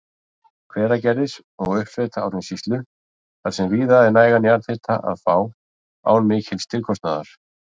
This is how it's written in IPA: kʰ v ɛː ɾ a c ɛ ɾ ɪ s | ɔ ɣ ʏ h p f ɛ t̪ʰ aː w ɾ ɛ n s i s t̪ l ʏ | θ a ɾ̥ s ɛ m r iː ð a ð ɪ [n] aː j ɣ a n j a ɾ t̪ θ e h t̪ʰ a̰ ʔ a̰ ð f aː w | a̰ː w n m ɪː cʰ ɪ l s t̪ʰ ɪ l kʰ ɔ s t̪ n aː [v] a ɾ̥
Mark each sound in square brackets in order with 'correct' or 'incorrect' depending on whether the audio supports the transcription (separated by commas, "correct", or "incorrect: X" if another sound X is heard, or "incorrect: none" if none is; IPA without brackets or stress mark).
correct, incorrect: ð